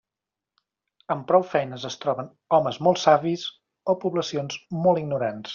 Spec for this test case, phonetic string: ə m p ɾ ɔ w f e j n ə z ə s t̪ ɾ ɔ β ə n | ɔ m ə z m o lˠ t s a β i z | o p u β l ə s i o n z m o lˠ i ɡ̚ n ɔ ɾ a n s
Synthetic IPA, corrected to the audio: ə m p ɾ ɔ w f ɛ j n ə z ə s t̪ ɾ ɔ β ə n | ɔ m ə z m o lˠ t s a β i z | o p u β l ə s i o n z m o lˠ i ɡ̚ n u ɾ a n s

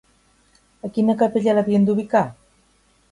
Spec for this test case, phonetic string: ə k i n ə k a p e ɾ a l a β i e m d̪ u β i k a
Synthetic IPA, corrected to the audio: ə k i n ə k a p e ʎ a l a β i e n d̪ u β i k a

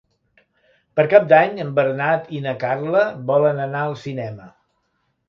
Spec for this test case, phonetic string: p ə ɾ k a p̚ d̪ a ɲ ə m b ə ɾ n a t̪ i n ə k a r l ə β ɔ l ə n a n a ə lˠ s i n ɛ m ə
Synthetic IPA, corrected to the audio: p ə ɾ k a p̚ d̪ a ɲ ə m b ə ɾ n a t̪ i n ə k a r l ə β ɔ l ə n ə n a ə lˠ s i n ɛ m ə

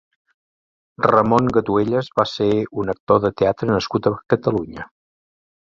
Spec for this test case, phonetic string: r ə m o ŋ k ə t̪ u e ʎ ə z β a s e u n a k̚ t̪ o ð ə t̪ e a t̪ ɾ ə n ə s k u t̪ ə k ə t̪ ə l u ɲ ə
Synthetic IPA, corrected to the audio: r ə m o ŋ ɡ ə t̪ u e ʎ ə z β a s e u n ə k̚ t̪ o ð ə t̪ e a t̪ ɾ ə n ə s k u t̪ ə k ə t̪ ə l u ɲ ə

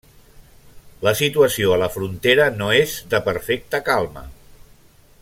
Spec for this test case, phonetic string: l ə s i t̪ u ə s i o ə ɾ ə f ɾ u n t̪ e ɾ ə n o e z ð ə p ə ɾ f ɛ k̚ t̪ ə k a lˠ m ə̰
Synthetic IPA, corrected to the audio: l ə s i t̪ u ə s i o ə l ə f ɾ u n t̪ e ɾ ə n o e z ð ə p ə ɾ f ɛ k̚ t̪ ə k a lˠ m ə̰

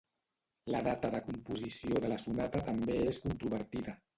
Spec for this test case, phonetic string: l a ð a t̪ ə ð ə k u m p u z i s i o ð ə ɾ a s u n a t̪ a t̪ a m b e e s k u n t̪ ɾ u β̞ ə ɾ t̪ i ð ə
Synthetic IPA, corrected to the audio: l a ð a t̪ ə ð ə k u m p u z i s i o ð ə l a s u n a t̪ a t̪ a m b e e s k u n t̪ ɾ u β̞ ə ɾ t̪ i ð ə

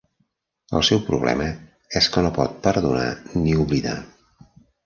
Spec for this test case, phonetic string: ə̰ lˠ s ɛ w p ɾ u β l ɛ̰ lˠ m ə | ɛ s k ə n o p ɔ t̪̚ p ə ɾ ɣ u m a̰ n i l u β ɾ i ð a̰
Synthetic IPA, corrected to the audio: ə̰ lˠ s ɛ w p ɾ u β l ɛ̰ m ə | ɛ s k ə n o p ɔ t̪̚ p ə ɾ ð u n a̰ n i u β l i ð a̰

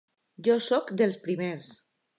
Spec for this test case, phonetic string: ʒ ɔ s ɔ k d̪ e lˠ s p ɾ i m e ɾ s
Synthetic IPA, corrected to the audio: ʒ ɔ s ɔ k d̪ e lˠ s p ɾ i m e ɾ s

